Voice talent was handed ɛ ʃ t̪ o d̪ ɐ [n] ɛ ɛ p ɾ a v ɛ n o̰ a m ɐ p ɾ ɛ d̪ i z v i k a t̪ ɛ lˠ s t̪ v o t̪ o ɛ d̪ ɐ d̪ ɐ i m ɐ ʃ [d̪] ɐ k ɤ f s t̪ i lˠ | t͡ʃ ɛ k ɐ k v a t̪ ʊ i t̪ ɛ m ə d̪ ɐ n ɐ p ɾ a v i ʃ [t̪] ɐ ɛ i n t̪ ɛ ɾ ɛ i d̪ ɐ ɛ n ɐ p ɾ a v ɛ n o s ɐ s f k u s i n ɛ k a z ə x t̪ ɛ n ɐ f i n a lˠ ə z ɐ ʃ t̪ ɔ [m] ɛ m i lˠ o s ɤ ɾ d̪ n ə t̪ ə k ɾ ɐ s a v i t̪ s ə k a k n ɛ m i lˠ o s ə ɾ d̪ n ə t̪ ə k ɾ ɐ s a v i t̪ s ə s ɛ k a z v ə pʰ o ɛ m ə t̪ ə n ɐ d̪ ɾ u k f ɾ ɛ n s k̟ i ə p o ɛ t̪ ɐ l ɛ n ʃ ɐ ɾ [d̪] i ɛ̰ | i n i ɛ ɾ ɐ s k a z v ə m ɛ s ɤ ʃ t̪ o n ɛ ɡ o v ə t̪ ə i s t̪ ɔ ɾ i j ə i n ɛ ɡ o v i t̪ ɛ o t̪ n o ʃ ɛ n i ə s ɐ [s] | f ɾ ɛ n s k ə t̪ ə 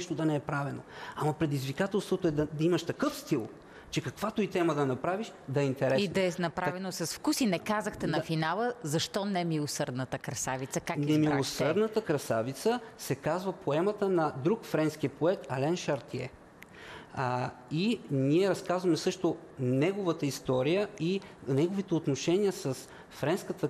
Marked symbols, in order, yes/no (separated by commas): yes, no, no, no, no, yes